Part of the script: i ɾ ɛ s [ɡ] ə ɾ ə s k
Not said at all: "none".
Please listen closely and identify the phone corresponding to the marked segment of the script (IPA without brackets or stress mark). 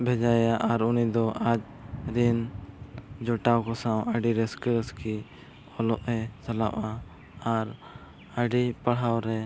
k